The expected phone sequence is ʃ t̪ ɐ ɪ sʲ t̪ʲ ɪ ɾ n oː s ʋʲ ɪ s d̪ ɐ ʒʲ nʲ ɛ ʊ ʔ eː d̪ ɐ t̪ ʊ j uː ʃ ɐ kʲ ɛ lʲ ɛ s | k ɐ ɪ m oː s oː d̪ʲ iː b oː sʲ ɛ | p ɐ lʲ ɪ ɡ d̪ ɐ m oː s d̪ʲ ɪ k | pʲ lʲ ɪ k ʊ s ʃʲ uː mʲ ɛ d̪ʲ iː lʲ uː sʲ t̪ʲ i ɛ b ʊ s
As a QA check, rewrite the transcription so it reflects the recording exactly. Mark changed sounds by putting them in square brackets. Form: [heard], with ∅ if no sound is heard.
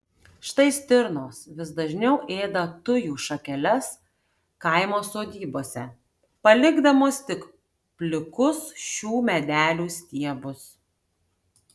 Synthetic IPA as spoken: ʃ t̪ ɐ ɪ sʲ t̪ʲ ɪ ɾ n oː s ʋʲ ɪ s d̪ ɐ ʒʲ nʲ ɛ ʊ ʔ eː d̪ ɐ t̪ ʊ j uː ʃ ɐ kʲ ɛ lʲ ɛ s | k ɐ ɪ m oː s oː d̪ʲ iː b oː sʲ ɛ | p ɐ lʲ ɪ ɡ d̪ ɐ m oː s [t̪ʲ] ɪ k | pʲ lʲ ɪ k ʊ s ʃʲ uː mʲ ɛ d̪ʲ [æː] lʲ uː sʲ t̪ʲ i ɛ b ʊ s